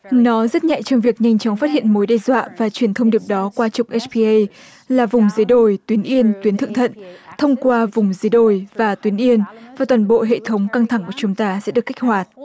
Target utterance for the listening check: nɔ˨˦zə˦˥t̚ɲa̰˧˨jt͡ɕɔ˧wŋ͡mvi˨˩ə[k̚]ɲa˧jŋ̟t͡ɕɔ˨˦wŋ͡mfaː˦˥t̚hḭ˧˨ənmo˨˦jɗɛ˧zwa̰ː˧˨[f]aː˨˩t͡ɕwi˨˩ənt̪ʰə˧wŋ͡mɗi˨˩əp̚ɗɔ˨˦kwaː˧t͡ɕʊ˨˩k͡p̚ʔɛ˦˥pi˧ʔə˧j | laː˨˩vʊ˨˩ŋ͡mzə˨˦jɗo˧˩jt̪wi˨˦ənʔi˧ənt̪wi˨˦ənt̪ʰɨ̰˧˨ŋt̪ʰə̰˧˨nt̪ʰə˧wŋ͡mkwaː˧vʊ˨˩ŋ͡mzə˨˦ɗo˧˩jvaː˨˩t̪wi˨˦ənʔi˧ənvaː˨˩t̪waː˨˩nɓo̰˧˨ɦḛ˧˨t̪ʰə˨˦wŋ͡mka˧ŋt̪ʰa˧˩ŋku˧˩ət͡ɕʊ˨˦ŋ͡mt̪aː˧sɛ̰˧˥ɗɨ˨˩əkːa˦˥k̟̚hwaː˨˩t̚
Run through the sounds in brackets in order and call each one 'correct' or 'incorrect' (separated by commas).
correct, incorrect